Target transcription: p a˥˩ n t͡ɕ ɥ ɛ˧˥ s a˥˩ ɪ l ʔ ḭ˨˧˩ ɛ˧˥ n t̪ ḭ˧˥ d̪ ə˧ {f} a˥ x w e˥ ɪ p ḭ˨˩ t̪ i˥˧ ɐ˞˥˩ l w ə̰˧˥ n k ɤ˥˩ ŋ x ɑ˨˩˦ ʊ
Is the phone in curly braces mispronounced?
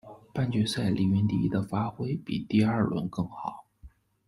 no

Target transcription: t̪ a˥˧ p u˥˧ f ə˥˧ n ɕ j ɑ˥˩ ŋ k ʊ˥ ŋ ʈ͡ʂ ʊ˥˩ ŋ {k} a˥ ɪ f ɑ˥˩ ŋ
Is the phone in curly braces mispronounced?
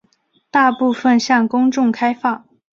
yes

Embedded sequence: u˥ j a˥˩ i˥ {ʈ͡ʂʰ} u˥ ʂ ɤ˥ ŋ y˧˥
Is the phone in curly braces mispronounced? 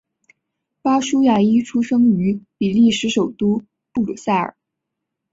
no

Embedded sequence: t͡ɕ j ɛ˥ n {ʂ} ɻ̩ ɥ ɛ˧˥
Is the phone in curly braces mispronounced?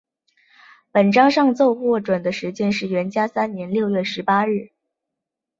no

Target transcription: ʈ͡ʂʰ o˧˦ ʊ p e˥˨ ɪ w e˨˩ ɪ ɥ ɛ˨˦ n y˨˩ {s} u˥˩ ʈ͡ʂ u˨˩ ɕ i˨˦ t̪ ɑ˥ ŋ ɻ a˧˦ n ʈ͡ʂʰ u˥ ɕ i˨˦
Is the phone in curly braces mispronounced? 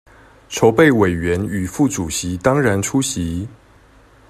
yes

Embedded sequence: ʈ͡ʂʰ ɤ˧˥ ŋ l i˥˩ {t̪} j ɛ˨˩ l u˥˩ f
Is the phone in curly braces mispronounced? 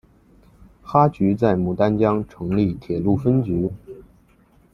yes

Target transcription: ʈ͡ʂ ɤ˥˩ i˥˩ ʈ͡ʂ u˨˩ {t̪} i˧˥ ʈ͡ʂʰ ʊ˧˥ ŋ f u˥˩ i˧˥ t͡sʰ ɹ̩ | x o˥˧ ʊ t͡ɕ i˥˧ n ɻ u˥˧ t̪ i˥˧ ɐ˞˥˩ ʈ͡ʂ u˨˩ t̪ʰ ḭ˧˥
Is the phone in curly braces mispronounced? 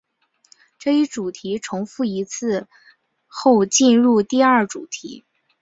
yes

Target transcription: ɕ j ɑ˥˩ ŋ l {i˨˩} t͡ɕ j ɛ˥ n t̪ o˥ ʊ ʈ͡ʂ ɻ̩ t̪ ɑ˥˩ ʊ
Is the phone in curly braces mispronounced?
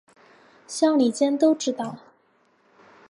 no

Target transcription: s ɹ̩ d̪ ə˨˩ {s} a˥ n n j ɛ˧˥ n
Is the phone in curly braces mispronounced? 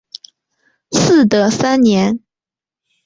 no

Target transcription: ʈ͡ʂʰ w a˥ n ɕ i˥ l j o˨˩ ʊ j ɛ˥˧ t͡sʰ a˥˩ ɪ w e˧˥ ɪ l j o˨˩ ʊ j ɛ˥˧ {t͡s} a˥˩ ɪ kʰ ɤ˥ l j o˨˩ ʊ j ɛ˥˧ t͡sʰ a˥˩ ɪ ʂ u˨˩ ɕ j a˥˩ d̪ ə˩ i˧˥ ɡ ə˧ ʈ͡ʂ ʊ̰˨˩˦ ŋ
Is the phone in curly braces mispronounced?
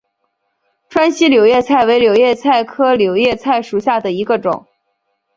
yes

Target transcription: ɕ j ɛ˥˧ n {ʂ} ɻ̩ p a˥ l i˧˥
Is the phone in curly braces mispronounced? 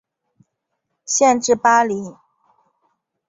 yes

